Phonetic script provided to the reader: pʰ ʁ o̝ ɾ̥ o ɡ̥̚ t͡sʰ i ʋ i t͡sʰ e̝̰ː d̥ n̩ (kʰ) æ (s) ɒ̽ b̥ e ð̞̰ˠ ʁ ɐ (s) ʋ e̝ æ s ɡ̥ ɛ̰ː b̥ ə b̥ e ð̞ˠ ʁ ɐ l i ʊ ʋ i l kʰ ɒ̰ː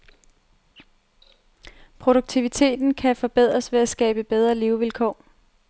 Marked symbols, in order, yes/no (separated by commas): yes, no, yes